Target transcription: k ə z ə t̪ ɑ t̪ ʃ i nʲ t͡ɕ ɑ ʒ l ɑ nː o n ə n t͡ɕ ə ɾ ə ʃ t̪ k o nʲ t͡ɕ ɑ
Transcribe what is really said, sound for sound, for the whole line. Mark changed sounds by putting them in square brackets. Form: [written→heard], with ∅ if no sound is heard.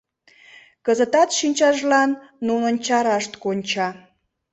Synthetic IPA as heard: k ə z ə t̪ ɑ t̪ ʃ i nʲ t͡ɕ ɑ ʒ l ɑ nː [o→u] n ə n t͡ɕ [ə→ɑ] ɾ [ə→ɑ] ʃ t̪ k o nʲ t͡ɕ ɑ